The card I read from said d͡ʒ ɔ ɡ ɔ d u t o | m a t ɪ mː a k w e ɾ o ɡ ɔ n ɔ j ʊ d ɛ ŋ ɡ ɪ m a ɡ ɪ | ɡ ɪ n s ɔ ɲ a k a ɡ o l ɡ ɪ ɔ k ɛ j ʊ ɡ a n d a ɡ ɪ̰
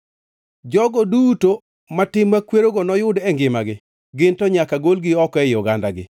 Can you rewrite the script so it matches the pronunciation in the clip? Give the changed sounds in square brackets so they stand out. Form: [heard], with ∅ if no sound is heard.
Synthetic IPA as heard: d͡ʒ ɔ ɡ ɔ d u t o | m a t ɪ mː a k w e ɾ o ɡ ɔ n ɔ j ʊ d ɛ ŋ ɡ ɪ m a ɡ ɪ | ɡ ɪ n [t] ɔ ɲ a k a ɡ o l ɡ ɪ ɔ k ɛ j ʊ ɡ a n d a ɡ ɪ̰